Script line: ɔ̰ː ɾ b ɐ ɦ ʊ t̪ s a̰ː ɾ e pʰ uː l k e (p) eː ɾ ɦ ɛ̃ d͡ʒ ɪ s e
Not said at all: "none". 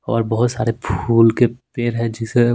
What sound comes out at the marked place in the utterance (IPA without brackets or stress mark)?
p